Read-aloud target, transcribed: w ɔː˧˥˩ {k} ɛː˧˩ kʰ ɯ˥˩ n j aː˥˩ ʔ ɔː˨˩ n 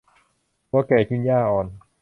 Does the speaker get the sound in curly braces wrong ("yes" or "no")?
no